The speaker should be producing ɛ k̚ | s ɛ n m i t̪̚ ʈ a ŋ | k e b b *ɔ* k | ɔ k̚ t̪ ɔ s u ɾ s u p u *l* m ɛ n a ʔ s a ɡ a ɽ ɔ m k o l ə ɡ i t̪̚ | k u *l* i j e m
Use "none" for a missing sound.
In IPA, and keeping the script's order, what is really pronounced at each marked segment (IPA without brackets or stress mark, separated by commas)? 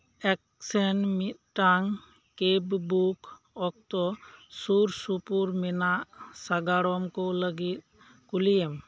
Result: u, ɾ, l